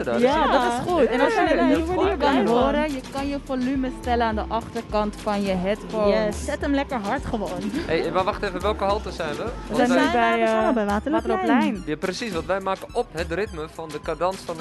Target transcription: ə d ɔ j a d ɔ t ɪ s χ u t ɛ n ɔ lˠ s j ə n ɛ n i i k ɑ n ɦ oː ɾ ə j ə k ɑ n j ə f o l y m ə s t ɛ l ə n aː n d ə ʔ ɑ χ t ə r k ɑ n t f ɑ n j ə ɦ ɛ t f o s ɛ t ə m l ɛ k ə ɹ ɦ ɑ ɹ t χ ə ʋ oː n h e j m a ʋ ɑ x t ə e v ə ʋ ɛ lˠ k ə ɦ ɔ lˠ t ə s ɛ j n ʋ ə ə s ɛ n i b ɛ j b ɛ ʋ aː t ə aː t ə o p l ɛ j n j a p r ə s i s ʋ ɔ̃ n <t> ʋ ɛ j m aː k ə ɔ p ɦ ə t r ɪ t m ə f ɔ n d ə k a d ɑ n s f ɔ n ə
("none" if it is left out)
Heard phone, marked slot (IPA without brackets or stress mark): t